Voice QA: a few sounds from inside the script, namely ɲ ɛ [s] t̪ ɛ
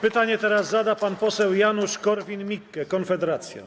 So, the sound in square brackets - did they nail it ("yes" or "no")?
no